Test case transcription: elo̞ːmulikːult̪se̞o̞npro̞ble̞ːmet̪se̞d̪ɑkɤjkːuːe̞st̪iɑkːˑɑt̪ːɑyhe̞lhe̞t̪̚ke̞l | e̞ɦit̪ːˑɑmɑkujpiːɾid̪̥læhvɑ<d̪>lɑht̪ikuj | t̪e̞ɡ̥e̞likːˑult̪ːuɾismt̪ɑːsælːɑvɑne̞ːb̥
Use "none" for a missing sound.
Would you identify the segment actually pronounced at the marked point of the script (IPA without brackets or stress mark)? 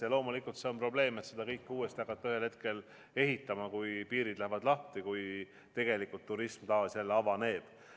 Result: d̪